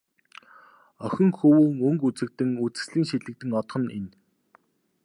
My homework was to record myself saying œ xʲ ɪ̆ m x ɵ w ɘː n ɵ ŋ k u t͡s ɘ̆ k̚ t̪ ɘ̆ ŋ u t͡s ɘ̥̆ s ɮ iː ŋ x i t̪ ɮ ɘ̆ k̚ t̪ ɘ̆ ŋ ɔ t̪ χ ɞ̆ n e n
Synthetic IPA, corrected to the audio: œ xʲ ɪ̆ ŋ x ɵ w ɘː ŋ ɵ ŋ k u t͡s ɘ̆ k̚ t̪ ɘ̆ ŋ u t͡s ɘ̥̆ s ɮ iː ŋ ʃ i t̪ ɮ ɘ̆ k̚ t̪ ɘ̆ ŋ ɔ t̪ χ ɞ̆ n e n